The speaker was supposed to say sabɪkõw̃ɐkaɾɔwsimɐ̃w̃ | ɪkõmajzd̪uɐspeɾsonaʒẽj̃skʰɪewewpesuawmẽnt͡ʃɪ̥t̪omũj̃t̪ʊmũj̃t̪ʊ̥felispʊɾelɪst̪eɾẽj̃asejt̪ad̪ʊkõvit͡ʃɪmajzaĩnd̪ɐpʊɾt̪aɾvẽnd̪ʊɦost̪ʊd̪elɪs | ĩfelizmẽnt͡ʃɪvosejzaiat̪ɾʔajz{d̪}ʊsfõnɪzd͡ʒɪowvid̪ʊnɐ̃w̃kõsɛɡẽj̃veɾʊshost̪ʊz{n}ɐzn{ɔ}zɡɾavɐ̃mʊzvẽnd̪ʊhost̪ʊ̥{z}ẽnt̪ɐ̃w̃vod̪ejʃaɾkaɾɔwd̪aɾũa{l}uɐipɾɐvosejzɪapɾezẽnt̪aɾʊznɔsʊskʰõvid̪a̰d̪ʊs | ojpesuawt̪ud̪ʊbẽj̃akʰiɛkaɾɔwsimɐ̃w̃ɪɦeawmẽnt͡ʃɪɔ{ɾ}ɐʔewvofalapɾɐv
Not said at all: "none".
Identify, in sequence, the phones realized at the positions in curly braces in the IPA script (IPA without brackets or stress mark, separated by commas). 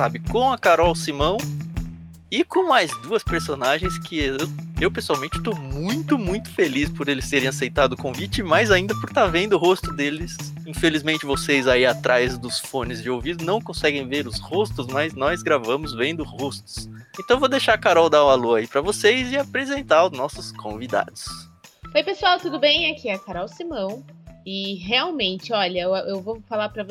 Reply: d̪, m, ɔ, s, l, ʎ